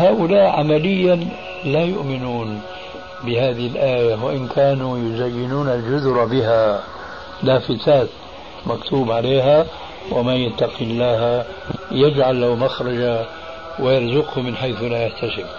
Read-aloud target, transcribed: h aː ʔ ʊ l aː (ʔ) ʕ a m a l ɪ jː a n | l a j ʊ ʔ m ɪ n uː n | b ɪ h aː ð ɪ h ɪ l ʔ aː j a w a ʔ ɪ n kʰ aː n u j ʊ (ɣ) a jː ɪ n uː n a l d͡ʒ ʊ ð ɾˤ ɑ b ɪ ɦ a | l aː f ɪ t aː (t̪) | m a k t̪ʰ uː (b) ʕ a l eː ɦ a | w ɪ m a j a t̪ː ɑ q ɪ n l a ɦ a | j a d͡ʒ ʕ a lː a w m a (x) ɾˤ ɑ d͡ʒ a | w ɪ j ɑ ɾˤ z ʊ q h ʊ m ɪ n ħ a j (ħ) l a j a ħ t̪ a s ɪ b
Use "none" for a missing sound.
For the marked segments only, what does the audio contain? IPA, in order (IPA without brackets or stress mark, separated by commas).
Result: ʔ, z, t̪, b, x, θ